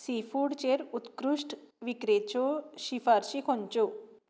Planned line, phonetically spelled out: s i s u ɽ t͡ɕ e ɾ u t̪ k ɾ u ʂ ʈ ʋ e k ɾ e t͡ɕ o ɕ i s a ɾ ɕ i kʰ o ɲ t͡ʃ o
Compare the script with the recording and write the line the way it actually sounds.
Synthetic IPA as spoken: s i f u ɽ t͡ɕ e ɾ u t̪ k ɾ u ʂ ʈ ʋ i k ɾ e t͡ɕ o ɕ i f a ɾ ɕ i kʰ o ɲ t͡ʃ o